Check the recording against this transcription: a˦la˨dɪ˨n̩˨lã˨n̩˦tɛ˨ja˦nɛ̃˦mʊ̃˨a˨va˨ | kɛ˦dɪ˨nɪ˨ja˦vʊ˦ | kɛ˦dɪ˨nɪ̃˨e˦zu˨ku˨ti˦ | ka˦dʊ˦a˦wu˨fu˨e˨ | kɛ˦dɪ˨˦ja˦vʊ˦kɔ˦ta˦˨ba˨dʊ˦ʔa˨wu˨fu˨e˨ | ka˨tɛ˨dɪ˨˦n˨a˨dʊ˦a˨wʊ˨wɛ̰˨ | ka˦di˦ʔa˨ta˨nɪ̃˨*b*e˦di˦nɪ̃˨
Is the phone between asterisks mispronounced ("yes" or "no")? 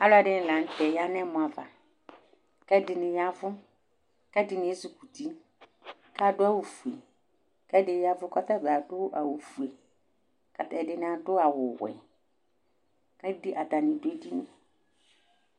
yes